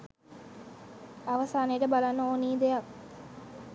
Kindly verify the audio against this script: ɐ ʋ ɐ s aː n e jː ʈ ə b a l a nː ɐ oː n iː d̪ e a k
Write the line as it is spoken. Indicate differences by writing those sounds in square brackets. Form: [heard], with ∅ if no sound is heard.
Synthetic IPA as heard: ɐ ʋ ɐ s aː n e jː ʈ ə b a l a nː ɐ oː n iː d̪ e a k